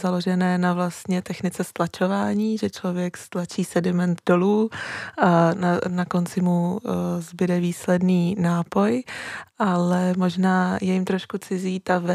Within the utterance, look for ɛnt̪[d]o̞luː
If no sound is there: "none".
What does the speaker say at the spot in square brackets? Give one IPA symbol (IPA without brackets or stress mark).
d